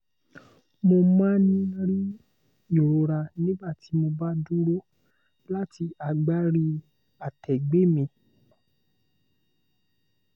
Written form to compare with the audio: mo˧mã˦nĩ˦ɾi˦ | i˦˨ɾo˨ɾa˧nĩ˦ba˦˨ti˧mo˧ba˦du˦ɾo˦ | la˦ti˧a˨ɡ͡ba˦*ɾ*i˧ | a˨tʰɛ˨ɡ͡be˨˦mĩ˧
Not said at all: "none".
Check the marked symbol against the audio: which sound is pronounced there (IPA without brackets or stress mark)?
ɾ